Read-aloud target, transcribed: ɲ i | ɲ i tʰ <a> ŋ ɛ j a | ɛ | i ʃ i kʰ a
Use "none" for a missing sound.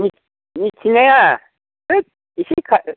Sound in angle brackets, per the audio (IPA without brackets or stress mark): i